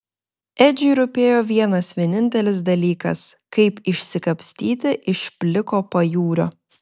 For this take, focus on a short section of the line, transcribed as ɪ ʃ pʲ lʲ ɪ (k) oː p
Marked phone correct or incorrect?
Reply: correct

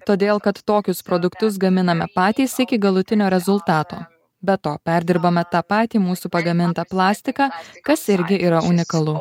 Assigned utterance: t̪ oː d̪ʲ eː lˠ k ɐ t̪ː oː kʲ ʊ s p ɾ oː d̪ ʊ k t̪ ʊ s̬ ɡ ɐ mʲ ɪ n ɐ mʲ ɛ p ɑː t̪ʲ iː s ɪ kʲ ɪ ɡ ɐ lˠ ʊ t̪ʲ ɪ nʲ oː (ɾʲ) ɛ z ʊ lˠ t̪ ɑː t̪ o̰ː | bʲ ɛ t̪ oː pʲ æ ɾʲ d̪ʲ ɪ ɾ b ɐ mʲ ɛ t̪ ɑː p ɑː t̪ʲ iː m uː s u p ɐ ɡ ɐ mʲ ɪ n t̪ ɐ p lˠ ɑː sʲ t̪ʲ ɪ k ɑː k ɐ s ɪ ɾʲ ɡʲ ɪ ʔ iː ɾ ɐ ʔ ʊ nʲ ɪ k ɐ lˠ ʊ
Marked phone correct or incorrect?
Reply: correct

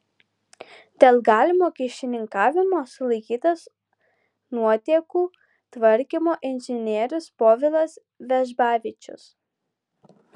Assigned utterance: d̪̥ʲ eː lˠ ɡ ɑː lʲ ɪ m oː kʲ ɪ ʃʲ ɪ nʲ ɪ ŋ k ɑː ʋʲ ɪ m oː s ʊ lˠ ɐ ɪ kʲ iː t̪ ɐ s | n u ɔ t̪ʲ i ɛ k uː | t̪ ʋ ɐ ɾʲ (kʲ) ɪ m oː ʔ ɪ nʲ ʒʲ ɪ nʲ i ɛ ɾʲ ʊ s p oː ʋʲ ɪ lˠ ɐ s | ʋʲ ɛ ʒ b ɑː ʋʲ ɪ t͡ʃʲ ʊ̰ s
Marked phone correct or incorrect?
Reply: correct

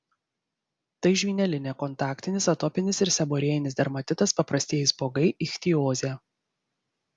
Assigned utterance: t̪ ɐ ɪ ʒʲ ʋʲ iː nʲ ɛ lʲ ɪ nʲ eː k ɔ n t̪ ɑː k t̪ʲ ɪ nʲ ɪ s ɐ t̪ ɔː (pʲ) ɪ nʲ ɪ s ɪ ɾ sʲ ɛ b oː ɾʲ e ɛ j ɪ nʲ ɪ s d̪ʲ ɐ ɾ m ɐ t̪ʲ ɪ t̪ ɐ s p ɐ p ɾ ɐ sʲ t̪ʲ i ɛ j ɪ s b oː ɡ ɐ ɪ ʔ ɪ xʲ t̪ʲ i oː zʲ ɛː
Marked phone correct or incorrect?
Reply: correct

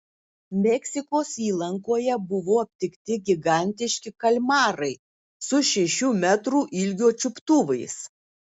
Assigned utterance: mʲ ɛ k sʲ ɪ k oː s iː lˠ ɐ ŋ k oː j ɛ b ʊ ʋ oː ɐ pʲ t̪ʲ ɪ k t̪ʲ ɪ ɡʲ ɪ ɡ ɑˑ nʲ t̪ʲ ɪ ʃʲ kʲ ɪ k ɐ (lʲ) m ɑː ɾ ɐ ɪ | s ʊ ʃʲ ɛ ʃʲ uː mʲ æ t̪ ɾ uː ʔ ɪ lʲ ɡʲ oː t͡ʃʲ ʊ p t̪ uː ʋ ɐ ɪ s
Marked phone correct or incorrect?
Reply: correct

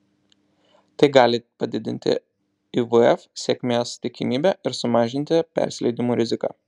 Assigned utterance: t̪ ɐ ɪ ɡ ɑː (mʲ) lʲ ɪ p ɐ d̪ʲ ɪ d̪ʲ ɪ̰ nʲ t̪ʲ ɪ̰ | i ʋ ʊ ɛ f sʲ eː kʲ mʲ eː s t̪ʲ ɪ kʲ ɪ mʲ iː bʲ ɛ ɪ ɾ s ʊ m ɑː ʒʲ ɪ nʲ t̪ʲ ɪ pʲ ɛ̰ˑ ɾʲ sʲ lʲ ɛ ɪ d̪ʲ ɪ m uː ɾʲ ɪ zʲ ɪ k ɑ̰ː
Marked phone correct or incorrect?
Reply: incorrect: none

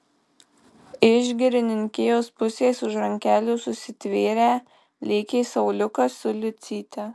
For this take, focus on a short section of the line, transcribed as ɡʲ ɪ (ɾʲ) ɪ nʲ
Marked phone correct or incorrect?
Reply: correct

